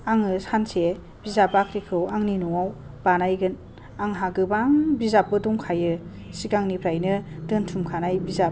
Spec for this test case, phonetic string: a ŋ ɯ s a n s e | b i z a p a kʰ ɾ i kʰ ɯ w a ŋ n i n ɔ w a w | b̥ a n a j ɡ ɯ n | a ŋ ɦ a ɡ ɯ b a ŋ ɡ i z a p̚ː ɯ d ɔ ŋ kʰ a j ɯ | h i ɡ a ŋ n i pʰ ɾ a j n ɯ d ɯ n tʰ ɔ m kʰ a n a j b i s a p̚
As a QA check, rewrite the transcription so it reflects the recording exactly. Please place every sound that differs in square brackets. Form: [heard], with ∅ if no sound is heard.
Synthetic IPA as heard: a ŋ ɯ s a n s e | b i z a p a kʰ ɾ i kʰ ɯ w a ŋ n i n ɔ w a w | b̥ a n a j ɡ ɯ n | a ŋ ɦ a ɡ ɯ b a ŋ [b] i z a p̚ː ɯ d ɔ ŋ kʰ a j ɯ | [s] i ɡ a ŋ n i pʰ ɾ a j n ɯ d ɯ n tʰ [u] m kʰ a n a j b i [z] a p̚